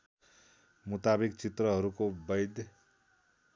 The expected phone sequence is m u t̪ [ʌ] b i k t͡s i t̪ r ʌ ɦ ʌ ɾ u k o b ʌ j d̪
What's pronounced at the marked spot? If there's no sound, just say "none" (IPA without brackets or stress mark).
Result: a